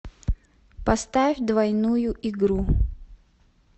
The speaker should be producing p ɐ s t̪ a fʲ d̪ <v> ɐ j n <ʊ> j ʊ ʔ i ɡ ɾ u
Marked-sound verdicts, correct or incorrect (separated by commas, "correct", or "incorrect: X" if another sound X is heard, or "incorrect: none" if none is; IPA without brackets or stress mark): correct, incorrect: u